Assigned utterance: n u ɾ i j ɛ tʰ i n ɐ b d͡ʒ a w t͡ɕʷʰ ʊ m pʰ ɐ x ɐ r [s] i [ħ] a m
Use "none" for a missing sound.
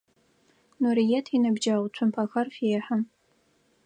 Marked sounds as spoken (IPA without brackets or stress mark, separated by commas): f, ħ